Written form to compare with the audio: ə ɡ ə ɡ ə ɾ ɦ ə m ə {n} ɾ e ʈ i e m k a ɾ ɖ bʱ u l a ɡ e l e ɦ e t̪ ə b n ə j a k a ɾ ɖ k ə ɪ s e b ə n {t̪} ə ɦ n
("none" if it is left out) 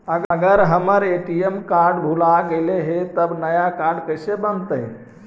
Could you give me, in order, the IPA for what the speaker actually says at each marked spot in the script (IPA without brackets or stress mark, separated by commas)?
none, t̪